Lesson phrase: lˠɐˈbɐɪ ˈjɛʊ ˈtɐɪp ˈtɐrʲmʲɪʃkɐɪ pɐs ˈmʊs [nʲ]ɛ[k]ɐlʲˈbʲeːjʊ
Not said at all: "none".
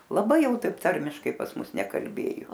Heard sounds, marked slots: nʲ, k

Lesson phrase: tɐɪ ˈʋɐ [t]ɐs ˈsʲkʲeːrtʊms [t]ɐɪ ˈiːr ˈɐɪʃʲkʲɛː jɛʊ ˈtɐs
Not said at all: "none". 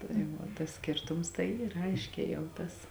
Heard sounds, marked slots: t, t

